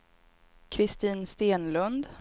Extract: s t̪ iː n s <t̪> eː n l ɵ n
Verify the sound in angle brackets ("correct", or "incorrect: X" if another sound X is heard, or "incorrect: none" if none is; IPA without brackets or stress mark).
correct